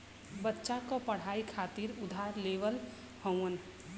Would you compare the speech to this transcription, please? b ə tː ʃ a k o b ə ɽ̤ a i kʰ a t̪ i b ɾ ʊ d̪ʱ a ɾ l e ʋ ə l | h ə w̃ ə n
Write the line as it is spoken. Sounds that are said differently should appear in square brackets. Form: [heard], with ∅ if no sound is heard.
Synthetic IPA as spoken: b ə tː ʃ a k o [p] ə ɽ̤ a i kʰ a t̪ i [∅] ɾ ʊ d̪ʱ a ɾ l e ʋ ə l | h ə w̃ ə n